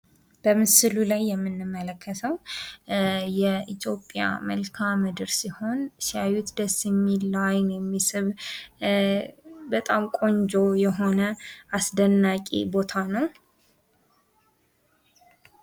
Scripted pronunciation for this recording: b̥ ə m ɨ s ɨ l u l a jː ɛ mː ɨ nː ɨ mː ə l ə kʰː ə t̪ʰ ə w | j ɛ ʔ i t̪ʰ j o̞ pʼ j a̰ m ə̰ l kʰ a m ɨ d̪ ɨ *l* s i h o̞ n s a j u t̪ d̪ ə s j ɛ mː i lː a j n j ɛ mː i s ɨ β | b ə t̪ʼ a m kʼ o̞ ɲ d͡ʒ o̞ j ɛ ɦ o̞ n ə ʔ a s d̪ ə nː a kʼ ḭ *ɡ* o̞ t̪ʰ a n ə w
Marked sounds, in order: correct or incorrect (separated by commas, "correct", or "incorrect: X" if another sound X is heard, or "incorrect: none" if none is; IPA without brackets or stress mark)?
incorrect: ɾ, incorrect: b